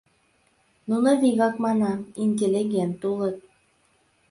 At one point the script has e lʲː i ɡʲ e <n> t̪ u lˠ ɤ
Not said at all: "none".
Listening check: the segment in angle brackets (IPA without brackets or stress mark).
n